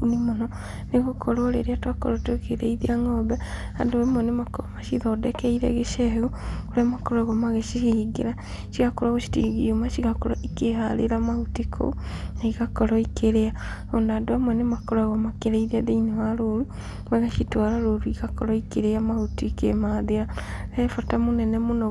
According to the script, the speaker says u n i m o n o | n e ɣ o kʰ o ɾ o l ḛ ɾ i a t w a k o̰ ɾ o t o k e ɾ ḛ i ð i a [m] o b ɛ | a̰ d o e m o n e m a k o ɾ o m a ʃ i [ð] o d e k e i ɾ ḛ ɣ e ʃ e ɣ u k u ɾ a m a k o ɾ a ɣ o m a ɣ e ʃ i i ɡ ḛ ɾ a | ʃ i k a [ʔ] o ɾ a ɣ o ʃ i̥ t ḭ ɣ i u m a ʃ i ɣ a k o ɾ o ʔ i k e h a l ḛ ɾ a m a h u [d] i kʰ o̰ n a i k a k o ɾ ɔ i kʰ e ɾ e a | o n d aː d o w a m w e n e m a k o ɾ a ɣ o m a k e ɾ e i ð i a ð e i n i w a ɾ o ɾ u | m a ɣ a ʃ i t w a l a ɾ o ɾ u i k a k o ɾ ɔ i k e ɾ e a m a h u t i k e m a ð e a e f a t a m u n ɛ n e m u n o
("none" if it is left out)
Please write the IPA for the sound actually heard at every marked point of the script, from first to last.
ŋ, ð, k, t

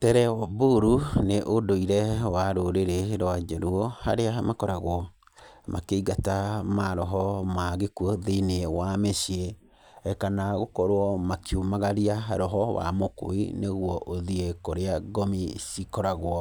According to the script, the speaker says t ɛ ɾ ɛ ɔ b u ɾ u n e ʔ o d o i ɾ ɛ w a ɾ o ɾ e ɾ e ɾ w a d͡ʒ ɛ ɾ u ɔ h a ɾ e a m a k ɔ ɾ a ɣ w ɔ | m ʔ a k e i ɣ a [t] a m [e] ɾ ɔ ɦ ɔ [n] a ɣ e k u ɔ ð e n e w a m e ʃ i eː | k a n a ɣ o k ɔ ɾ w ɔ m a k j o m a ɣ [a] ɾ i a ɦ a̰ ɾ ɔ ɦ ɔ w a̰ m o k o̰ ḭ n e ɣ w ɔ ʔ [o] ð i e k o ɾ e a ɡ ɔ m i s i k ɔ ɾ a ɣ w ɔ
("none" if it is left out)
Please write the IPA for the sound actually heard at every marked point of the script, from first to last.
t, a, m, a, o

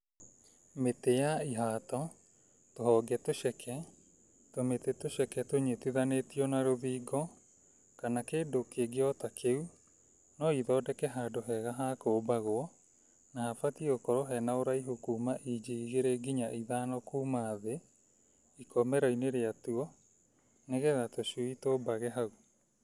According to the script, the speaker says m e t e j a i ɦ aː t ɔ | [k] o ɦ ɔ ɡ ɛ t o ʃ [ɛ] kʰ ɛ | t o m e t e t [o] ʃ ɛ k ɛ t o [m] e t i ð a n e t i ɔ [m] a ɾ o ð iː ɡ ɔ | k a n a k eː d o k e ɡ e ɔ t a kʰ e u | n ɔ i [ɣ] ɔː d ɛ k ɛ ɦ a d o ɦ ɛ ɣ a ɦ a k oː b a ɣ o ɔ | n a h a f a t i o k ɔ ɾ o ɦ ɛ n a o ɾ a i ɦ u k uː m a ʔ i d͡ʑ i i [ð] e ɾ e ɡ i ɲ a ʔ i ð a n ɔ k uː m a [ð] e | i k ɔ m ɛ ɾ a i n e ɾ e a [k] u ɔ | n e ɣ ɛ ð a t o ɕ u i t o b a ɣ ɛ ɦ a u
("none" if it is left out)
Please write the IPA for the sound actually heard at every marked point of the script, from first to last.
t, ɛ, o, ɲ, n, ð, ɣ, ð, t

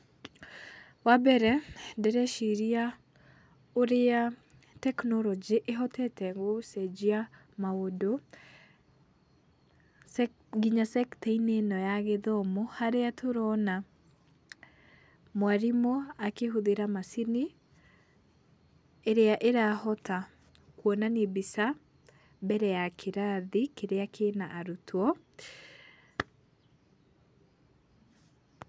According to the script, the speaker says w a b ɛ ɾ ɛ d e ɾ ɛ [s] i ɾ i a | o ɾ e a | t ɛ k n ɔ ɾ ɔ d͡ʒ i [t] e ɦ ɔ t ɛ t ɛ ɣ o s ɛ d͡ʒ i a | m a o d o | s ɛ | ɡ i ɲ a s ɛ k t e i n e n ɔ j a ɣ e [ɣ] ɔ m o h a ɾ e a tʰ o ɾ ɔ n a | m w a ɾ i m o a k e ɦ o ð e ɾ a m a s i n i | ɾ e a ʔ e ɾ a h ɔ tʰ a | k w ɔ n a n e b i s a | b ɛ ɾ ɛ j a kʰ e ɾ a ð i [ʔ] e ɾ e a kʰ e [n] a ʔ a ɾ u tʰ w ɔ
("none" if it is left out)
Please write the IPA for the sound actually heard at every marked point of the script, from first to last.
ʃ, ʔ, ð, k, n

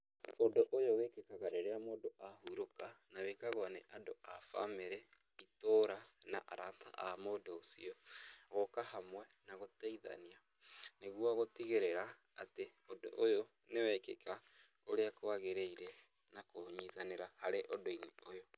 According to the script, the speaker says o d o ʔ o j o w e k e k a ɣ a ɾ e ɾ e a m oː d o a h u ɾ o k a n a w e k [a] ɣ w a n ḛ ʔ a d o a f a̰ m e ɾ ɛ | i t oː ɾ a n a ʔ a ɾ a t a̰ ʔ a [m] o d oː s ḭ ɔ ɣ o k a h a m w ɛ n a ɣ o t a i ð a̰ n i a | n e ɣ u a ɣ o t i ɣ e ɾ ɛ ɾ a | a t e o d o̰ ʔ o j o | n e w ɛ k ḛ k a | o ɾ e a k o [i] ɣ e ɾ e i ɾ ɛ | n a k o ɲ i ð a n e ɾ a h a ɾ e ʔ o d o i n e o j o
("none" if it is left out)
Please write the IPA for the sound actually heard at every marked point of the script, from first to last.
a, m, a

